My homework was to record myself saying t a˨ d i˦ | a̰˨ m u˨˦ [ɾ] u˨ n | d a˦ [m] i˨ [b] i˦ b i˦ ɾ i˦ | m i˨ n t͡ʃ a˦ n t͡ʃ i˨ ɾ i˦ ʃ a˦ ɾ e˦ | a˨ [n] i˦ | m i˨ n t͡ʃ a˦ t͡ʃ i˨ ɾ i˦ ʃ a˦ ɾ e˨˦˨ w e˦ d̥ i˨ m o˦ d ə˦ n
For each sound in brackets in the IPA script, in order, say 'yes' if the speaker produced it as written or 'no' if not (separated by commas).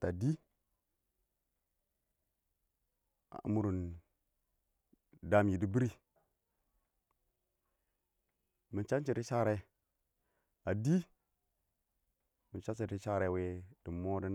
yes, yes, no, no